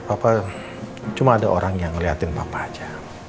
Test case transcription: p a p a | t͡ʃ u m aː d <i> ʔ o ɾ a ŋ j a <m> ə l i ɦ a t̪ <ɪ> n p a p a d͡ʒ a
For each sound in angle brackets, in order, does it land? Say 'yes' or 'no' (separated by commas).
no, no, yes